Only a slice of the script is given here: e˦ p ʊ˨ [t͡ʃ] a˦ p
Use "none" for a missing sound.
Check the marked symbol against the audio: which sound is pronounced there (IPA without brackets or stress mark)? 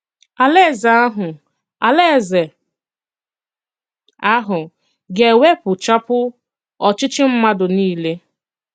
t͡ʃ